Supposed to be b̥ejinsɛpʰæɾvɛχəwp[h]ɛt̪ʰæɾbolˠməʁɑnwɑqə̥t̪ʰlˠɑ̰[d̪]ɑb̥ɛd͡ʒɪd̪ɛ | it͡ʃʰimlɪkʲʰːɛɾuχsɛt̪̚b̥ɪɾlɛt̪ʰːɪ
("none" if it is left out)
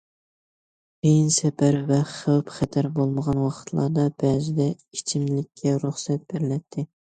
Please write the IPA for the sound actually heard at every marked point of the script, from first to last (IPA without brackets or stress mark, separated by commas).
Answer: χ, d̪